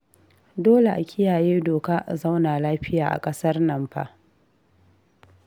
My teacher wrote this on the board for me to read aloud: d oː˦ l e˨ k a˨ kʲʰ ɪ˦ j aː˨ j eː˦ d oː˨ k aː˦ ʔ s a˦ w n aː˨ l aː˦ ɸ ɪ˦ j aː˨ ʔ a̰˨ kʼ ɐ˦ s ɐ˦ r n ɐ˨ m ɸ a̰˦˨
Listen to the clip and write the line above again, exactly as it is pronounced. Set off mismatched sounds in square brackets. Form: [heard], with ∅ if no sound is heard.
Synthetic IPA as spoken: d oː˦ l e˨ [ʔ] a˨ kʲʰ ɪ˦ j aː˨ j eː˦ d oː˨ k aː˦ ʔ [z] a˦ w n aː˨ l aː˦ ɸ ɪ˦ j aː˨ ʔ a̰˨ kʼ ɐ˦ s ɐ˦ r n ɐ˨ m ɸ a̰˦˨